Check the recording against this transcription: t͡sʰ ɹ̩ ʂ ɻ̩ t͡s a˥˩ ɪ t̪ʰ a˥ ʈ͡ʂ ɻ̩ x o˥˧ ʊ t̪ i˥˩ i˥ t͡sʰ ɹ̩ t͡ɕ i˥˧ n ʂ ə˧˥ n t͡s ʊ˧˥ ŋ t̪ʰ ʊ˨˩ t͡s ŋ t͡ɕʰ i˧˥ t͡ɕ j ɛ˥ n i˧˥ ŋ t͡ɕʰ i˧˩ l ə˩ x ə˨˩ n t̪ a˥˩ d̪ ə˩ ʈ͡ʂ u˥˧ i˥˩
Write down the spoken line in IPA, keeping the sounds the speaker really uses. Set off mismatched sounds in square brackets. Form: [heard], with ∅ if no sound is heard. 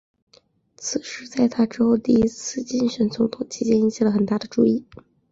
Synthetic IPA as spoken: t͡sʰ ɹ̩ ʂ ɻ̩ t͡s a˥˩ ɪ t̪ʰ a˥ ʈ͡ʂ ɻ̩ x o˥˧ ʊ t̪ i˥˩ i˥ t͡sʰ ɹ̩ t͡ɕ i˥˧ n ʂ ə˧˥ n t͡s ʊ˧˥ ŋ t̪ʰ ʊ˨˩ [∅] ŋ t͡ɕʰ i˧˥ t͡ɕ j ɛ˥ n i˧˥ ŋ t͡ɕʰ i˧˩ l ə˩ x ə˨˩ n t̪ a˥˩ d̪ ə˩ ʈ͡ʂ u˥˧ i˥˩